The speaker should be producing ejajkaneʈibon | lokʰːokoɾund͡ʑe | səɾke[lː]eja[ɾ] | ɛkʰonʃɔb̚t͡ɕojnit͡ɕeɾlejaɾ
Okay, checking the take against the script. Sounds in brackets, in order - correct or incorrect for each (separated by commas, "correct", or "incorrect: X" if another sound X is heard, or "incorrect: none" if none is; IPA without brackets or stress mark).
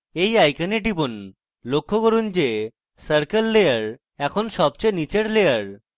correct, correct